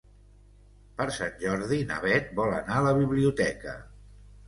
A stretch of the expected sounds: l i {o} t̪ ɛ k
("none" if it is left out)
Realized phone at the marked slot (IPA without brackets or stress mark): u